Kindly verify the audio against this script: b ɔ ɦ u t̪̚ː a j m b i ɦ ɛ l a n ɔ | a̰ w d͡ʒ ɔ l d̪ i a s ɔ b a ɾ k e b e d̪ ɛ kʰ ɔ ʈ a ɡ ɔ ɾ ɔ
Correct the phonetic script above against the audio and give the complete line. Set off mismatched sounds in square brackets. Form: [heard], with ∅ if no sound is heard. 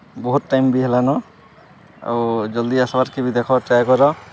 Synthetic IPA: b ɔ ɦ u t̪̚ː a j m b i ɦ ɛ l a n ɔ | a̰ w d͡ʒ ɔ l d̪ i a s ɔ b a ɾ k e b [i] d̪ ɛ kʰ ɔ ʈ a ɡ ɔ ɾ ɔ